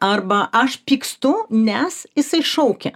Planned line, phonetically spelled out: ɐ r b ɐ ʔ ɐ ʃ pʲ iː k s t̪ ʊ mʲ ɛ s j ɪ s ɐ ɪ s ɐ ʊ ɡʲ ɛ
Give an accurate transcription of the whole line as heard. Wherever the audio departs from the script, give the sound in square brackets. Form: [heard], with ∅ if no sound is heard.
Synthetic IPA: ɐ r b ɐ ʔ ɐ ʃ pʲ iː k s t̪ ʊ [nʲ] ɛ s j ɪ s ɐ ɪ [ʃ] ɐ ʊ [kʲ] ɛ